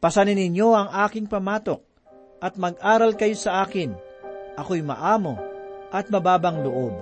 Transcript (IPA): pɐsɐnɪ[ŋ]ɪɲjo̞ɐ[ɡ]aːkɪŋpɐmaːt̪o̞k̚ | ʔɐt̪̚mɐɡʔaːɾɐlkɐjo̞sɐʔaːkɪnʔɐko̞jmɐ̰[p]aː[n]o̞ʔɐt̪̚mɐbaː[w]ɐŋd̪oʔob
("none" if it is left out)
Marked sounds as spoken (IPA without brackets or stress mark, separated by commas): n, ŋ, ʔ, m, b